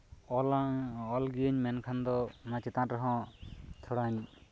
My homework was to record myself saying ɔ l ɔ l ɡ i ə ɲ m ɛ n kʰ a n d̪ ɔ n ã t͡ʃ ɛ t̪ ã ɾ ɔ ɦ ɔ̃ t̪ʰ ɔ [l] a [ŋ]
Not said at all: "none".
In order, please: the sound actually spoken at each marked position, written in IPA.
ɽ, ɲ

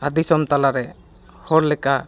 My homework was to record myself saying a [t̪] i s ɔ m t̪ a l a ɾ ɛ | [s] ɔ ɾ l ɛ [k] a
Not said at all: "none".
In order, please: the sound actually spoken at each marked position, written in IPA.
d̪, h, k

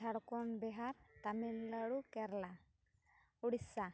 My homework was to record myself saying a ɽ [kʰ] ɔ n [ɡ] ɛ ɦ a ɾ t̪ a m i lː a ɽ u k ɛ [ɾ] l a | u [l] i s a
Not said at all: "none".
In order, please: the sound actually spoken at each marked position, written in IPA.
k, b, ɾ, ɽ

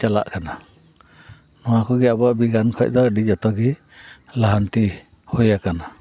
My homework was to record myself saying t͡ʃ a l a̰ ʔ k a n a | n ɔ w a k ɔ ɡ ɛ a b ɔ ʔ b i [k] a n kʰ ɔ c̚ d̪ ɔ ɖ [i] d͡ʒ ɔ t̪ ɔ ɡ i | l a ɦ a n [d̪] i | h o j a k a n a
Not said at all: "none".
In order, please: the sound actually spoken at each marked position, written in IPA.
ɡ, i, t̪

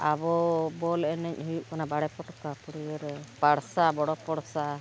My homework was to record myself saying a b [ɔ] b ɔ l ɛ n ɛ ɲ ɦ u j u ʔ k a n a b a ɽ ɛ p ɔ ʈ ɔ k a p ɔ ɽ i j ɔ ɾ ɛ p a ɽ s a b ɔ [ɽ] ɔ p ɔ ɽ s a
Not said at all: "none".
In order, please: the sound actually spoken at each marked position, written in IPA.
ɔ, ɽ

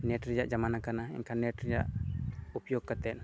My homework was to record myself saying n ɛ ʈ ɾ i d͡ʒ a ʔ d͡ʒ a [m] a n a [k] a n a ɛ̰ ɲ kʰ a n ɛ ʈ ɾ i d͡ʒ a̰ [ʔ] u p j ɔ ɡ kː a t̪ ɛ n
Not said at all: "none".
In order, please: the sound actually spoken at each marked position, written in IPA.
m, k, ʔ

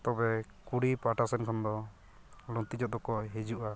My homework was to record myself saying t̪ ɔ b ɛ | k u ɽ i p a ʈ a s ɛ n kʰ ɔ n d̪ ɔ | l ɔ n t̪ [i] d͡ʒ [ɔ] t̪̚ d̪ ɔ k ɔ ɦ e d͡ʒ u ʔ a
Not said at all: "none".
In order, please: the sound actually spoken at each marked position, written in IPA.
i, ɔ

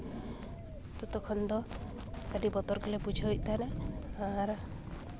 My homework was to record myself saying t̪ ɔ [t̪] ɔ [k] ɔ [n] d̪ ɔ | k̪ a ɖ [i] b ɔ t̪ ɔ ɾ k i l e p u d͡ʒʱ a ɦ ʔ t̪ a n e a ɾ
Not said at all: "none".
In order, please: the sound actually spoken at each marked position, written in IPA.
t̪, kʰ, n, i

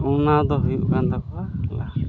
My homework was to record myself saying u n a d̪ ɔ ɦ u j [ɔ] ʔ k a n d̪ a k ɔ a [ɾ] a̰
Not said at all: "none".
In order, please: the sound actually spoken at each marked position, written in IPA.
u, l

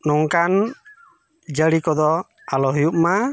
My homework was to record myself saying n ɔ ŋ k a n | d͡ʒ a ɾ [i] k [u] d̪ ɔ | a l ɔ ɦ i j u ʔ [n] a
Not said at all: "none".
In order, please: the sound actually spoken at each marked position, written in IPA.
i, ɔ, m

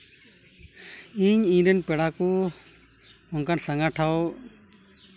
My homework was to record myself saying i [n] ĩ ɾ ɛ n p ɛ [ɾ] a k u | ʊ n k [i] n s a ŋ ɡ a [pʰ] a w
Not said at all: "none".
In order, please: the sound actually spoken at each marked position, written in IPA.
ɲ, ɽ, a, ʈʰ

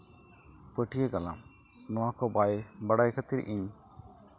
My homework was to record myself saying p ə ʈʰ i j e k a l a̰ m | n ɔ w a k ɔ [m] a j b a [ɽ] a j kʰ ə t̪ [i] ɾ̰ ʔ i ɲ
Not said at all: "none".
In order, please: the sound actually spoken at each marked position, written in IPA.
b, ɽ, i

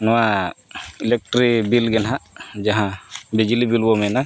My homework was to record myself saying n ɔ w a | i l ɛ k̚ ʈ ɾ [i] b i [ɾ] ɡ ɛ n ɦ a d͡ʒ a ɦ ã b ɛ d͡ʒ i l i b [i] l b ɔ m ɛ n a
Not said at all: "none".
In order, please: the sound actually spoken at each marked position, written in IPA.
i, l, i

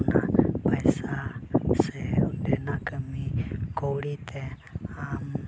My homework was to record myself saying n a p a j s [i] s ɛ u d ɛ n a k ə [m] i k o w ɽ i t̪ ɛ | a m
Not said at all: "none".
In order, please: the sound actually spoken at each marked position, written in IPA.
a, m

